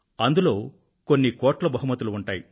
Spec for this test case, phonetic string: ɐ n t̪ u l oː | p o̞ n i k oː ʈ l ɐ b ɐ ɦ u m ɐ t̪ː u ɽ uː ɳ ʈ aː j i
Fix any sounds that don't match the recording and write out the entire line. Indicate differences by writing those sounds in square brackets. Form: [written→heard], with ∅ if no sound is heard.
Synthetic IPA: ɐ n [t̪→d̪] u l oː | [p→k] o̞ [n→nː] i k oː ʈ l ɐ b ɐ ɦ u m ɐ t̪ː u [ɽ→l] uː ɳ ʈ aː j i

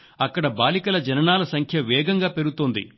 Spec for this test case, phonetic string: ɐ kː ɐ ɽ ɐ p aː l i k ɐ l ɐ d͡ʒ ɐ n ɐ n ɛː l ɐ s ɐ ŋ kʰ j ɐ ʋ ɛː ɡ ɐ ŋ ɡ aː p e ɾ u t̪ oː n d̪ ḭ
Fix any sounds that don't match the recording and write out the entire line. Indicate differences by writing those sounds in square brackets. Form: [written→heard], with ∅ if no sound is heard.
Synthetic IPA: ɐ kː ɐ ɽ ɐ [p→b] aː l i k ɐ l ɐ d͡ʒ ɐ n ɐ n [ɛː→aː] l ɐ s ɐ ŋ kʰ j ɐ ʋ ɛː ɡ ɐ ŋ ɡ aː p e ɾ u t̪ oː n d̪ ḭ

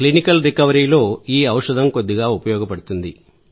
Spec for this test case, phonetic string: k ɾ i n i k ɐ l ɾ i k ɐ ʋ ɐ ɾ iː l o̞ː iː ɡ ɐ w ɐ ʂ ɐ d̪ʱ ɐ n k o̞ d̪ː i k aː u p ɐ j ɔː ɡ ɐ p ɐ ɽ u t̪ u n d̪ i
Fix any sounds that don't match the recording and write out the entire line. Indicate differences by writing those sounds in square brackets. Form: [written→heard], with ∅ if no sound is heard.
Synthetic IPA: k [ɾ→l] i n i k ɐ l ɾ i k ɐ ʋ ɐ ɾ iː l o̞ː iː [ɡ→∅] ɐ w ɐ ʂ ɐ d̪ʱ ɐ [n→m] k o̞ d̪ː i [k→ɡ] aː u p ɐ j ɔː ɡ ɐ p ɐ ɽ u t̪ u n d̪ i

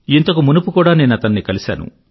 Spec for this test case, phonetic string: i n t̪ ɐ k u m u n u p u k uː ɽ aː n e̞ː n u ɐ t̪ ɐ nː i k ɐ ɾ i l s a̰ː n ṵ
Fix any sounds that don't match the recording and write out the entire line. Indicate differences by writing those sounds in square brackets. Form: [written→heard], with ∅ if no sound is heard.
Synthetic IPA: i n t̪ ɐ k u m u n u p u k uː ɽ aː n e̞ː n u ɐ t̪ ɐ nː i k ɐ [ɾ→l] i [l→∅] s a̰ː n ṵ

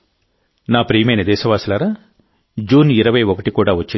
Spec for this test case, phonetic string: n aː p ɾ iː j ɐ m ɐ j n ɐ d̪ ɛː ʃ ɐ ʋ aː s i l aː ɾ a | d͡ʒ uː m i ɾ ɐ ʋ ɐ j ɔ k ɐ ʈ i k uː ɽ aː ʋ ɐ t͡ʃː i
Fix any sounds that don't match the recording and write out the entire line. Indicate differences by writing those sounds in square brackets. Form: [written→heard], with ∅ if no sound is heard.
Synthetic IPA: n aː p ɾ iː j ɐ m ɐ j n ɐ d̪ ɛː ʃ ɐ ʋ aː s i l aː ɾ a | d͡ʒ uː [m→n] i ɾ ɐ ʋ ɐ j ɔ k ɐ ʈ i k uː ɽ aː ʋ ɐ t͡ʃː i

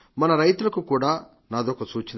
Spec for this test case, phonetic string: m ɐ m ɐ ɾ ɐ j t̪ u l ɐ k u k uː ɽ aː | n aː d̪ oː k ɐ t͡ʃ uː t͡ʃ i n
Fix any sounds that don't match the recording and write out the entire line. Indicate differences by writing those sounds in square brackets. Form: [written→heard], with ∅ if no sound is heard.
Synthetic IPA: m ɐ [m→n] ɐ ɾ ɐ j t̪ u l ɐ k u k uː ɽ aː | n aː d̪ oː k ɐ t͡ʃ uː t͡ʃ i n

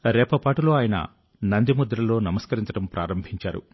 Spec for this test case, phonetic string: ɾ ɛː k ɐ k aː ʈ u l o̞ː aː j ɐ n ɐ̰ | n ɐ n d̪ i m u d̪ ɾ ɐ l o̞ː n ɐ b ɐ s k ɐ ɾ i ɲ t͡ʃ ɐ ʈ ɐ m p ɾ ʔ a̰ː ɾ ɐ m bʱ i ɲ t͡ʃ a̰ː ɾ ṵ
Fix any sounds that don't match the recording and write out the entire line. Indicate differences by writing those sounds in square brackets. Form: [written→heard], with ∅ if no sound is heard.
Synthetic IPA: ɾ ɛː [k→p] ɐ [k→p] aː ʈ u l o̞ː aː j ɐ n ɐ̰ | n ɐ n d̪ i m u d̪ ɾ ɐ l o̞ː n ɐ [b→m] ɐ s k ɐ ɾ i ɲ t͡ʃ ɐ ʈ ɐ m p ɾ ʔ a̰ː ɾ ɐ m bʱ i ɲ t͡ʃ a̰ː ɾ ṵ

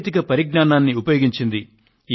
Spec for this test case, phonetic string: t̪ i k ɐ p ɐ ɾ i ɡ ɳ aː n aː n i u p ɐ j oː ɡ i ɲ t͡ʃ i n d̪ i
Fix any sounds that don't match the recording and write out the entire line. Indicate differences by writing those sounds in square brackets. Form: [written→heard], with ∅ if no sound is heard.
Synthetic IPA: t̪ i k ɐ p ɐ ɾ i ɡ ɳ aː n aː [n→nː] i u p ɐ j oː ɡ i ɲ t͡ʃ i n d̪ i

